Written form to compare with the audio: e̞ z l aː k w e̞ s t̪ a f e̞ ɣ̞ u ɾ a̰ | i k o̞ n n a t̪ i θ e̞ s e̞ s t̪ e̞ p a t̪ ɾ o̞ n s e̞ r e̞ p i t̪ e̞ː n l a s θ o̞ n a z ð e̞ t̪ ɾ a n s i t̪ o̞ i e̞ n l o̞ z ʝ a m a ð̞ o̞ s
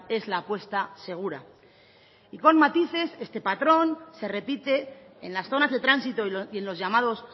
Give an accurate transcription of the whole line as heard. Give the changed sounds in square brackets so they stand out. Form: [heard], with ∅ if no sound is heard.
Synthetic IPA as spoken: e̞ z l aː [p] w e̞ s t̪ a [s] e̞ ɣ̞ u ɾ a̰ | i k o̞ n [m] a t̪ i θ e̞ s e̞ s t̪ e̞ p a t̪ ɾ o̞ n s e̞ r e̞ p i t̪ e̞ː n l a s θ o̞ n a z ð e̞ t̪ ɾ a n s i t̪ o̞ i e̞ n l o̞ z ʝ a m a ð̞ o̞ s